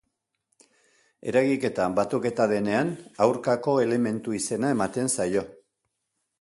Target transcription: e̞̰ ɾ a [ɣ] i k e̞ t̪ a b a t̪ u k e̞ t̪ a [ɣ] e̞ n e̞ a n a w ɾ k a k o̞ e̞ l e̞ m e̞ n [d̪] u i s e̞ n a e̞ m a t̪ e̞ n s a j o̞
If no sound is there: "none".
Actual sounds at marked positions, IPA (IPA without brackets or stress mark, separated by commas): ɣ, ð, t̪